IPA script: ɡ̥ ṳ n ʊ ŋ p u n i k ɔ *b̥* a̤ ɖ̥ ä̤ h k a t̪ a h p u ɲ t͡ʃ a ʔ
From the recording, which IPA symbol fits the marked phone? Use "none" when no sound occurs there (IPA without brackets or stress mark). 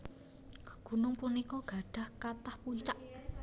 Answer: ɡ̥